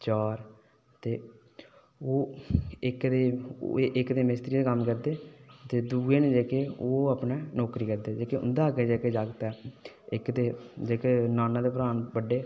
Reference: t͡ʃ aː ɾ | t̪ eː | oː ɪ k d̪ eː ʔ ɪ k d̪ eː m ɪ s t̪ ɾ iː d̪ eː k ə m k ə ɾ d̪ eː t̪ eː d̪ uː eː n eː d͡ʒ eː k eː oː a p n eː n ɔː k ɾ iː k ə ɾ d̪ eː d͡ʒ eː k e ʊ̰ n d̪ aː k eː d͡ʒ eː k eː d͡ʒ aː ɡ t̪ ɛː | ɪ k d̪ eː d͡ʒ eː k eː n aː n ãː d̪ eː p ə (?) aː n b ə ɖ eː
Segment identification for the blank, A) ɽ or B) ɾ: B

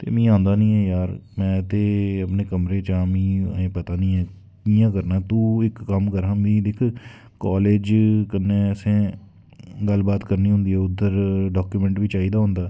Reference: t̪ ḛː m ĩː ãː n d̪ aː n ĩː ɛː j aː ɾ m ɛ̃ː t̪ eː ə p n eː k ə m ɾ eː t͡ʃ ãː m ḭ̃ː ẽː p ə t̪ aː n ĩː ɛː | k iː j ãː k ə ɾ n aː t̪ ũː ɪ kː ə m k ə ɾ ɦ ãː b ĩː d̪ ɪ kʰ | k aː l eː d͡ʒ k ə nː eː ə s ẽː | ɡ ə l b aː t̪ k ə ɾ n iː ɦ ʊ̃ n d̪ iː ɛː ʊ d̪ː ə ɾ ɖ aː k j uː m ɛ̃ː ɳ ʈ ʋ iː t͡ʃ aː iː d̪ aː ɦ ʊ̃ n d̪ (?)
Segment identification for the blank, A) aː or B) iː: A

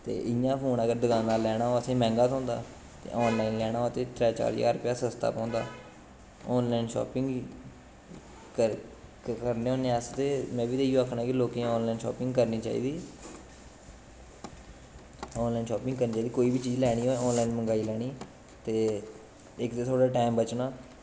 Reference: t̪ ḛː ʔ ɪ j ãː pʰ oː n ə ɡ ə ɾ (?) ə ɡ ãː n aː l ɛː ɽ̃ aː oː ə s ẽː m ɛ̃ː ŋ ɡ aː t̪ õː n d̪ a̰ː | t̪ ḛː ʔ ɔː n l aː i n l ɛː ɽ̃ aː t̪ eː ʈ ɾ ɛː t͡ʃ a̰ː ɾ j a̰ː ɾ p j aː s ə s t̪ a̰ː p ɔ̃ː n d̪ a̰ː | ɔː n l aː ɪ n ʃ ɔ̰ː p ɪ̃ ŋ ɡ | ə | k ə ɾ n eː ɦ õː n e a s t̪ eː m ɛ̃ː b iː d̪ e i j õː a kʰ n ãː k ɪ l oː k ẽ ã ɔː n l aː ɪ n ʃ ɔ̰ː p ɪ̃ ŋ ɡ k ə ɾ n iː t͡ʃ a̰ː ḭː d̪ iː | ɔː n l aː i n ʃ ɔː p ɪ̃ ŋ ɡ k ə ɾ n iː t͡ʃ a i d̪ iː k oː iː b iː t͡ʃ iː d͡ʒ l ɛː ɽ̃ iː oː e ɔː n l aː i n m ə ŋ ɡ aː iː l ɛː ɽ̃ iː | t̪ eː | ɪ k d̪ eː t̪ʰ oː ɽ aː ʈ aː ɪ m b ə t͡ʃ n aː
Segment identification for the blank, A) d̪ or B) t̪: A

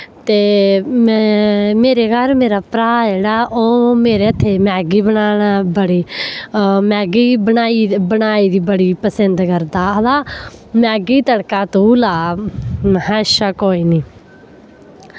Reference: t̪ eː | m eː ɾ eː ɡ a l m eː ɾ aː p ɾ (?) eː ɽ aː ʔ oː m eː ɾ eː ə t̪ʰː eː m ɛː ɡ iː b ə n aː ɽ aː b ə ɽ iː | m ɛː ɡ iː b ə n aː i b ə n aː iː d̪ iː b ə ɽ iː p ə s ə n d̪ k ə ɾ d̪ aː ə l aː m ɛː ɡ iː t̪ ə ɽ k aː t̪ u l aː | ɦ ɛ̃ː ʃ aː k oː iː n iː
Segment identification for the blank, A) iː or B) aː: B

